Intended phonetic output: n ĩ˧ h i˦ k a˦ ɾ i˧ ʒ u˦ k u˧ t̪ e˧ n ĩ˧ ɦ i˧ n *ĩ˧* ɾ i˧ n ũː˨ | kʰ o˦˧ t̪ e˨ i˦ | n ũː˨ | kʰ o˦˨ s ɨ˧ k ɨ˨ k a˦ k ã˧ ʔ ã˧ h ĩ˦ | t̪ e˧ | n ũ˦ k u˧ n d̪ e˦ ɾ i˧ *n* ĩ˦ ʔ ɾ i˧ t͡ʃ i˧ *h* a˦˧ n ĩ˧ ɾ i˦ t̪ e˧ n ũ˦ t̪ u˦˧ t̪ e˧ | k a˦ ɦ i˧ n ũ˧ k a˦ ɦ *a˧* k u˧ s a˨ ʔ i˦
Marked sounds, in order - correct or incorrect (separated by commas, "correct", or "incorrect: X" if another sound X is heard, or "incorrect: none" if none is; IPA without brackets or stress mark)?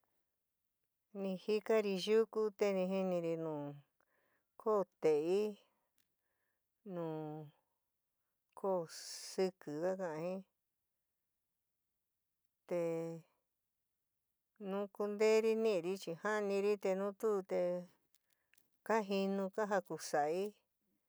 correct, correct, correct, correct